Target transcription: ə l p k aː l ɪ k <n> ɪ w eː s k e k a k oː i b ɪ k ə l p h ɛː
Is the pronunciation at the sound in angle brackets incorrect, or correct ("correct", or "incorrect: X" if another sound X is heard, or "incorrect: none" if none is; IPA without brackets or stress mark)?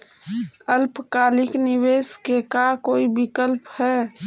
correct